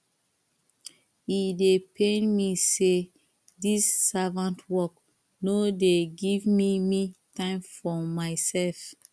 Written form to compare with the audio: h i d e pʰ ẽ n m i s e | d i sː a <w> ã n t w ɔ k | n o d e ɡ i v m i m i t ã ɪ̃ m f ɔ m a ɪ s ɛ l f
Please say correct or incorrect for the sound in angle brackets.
incorrect